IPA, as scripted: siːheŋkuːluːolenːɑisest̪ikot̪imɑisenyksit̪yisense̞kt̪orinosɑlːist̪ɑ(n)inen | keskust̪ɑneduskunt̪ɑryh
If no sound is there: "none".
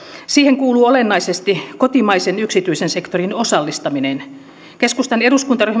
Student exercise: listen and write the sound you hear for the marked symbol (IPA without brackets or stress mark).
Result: m